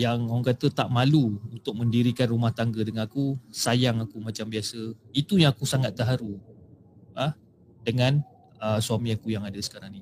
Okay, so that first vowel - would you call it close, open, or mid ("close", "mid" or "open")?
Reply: open